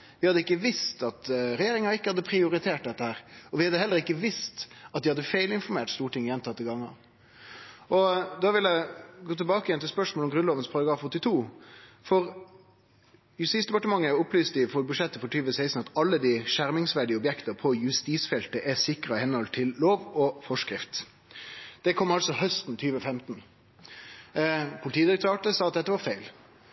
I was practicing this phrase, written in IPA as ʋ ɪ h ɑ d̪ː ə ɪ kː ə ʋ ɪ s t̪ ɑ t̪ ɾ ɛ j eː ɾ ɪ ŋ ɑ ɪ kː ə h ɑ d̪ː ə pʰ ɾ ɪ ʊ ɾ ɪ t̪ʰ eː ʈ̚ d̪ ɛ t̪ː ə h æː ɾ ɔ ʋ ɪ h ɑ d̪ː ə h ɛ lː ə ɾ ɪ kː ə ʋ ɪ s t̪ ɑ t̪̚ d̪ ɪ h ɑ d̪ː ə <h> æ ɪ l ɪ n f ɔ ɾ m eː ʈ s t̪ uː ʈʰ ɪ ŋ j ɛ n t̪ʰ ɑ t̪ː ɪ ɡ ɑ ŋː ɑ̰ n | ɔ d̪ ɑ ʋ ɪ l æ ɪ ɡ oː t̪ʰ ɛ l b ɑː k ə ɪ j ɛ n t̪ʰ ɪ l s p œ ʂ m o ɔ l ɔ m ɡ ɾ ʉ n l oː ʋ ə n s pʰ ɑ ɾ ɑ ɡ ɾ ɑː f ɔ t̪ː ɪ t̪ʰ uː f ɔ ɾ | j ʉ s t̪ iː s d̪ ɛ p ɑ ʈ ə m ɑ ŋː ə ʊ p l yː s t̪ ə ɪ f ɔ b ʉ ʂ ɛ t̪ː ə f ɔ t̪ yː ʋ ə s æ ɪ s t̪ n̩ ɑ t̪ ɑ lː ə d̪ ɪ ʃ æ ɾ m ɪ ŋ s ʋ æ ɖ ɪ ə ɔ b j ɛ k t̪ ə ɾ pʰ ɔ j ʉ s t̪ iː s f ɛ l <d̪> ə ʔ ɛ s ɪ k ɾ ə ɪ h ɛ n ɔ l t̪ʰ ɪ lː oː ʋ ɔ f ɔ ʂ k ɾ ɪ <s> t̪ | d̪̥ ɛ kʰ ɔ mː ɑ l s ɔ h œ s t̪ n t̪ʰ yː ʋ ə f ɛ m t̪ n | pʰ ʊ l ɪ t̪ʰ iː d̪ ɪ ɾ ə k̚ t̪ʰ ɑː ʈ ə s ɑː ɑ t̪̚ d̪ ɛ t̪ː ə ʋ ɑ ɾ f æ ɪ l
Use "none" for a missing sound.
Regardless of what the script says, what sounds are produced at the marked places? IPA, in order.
f, t̪, f

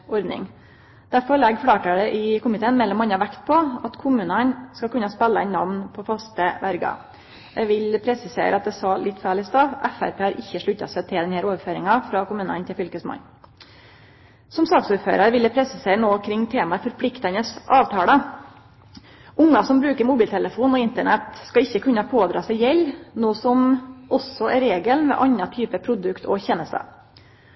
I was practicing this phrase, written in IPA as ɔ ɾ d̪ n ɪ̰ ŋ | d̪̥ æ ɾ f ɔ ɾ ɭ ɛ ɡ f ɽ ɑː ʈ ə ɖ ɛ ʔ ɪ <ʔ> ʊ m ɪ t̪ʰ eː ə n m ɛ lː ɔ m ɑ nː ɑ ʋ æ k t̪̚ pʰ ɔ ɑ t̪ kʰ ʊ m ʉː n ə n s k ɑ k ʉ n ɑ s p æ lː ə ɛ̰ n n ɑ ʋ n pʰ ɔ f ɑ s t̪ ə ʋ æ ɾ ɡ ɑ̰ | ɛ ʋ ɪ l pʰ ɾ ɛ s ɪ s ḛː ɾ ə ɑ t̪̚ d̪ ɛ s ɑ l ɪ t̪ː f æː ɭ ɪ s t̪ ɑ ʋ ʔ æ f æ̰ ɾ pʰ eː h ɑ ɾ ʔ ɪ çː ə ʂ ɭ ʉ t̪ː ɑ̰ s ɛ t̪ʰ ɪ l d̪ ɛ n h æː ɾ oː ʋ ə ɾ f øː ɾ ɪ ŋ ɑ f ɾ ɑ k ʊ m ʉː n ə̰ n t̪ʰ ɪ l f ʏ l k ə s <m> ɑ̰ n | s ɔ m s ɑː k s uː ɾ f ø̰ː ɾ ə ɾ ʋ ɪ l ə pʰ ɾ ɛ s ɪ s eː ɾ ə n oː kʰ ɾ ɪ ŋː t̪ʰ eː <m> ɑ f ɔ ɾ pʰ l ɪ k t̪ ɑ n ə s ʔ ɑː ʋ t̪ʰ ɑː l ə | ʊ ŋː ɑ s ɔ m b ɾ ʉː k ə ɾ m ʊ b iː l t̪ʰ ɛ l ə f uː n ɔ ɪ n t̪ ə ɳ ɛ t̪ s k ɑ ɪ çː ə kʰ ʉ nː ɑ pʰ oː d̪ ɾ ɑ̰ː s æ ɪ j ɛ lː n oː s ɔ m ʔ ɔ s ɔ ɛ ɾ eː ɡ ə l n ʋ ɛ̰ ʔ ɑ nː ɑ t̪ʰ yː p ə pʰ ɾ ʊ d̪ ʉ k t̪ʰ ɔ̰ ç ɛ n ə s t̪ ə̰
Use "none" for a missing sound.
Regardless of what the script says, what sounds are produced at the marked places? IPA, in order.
k, m, m

